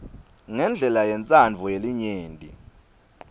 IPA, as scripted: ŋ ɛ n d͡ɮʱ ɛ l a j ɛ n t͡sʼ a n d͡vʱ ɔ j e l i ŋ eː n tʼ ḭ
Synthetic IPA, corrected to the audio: ŋ ɛ n d͡ɮʱ ɛ l a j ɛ n t͡sʼ a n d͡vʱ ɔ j e l i ɲ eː n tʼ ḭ